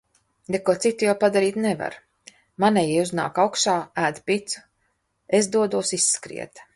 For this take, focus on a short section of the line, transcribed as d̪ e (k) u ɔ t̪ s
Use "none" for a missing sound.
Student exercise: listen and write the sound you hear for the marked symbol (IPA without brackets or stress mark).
k